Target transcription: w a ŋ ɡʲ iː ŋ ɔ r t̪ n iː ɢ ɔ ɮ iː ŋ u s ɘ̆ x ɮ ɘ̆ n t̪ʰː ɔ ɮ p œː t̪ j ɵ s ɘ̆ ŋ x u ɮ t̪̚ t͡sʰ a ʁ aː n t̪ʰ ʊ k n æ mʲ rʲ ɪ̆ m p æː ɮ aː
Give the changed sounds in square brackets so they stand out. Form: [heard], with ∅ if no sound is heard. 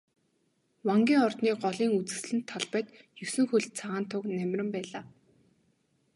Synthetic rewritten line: w a ŋ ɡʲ iː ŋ ɔ r t̪ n iː ɢ ɔ ɮ iː ŋ u [t͡s] ɘ̆ [s] ɮ ɘ̆ n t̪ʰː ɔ ɮ p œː t̪ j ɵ s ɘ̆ ŋ x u ɮ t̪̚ t͡sʰ a ʁ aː n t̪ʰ ʊ k n æ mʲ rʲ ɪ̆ m p æː ɮ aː